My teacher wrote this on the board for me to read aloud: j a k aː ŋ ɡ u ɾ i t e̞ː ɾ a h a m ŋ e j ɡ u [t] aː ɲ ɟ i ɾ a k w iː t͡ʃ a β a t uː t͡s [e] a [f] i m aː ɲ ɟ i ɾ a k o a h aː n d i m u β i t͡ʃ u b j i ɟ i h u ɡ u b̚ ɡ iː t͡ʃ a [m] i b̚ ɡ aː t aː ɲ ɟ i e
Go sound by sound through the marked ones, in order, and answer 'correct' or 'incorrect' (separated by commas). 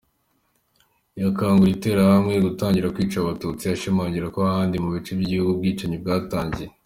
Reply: correct, incorrect, incorrect, incorrect